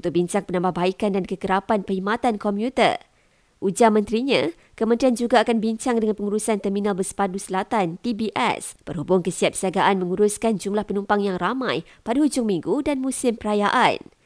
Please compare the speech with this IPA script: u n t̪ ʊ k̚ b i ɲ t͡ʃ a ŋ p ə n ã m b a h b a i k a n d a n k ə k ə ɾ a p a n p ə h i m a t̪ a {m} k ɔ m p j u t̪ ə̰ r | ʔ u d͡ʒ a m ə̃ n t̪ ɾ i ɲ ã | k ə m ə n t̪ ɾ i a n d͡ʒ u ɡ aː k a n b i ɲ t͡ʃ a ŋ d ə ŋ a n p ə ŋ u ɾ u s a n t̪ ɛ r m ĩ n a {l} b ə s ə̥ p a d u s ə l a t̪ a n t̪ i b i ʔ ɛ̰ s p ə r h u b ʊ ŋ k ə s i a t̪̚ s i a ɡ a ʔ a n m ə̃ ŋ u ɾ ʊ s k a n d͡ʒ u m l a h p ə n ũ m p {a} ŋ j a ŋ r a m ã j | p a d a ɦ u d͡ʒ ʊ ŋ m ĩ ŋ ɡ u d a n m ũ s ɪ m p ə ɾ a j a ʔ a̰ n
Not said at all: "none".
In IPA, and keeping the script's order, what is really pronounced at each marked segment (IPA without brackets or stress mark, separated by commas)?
n, l, a